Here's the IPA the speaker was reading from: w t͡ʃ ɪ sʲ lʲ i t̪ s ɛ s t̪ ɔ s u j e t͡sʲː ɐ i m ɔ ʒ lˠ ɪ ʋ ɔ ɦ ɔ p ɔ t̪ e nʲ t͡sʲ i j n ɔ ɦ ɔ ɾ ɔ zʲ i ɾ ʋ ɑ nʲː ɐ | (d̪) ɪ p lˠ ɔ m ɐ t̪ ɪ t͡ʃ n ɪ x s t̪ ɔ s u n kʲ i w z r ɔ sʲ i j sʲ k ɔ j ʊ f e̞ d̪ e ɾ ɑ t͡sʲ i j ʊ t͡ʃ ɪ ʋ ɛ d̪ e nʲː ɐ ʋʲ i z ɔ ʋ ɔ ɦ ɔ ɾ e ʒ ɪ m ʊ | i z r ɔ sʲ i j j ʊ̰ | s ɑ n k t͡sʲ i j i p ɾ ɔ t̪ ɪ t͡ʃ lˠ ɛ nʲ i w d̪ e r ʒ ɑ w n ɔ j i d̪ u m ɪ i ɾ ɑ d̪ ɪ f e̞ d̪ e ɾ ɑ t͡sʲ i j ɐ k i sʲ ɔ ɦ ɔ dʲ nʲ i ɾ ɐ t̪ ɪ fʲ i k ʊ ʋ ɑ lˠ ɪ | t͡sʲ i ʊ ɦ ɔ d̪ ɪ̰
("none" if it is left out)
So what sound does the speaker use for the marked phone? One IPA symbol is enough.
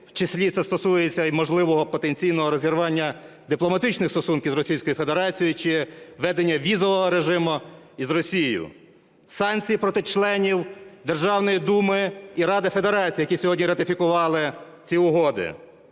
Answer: d̪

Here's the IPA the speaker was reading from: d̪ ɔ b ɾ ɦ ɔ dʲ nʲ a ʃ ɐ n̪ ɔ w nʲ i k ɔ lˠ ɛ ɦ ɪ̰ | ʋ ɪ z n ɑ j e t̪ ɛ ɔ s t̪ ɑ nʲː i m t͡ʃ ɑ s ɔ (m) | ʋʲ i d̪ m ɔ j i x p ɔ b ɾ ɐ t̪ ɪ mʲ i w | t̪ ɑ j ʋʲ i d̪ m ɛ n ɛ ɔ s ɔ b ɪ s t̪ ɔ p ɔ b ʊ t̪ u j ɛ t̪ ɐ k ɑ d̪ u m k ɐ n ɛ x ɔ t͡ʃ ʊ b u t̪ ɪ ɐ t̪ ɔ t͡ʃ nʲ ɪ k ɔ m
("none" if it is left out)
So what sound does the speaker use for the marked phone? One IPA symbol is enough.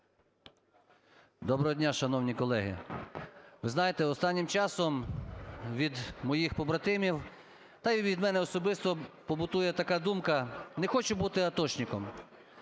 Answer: m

